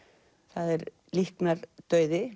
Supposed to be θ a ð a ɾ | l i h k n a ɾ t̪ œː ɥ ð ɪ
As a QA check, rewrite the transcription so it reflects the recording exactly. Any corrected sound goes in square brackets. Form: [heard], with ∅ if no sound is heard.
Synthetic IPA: θ a ð [ɛ] ɾ | l i h k n a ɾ t̪ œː ɥ ð ɪ